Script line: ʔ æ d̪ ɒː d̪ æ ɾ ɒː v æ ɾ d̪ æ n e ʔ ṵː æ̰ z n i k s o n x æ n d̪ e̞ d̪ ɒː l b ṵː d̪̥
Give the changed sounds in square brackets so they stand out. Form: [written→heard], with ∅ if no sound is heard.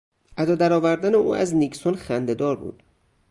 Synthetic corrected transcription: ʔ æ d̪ ɒː d̪ æ ɾ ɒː v æ ɾ d̪ æ n e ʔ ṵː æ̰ z n i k s o n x æ n d̪ e̞ d̪ ɒː [l→ɾ] b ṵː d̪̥